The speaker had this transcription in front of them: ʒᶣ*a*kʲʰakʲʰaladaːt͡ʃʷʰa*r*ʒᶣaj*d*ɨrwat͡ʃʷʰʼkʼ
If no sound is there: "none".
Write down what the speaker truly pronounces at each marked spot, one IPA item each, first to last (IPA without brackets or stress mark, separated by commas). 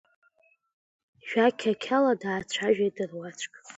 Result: a, none, d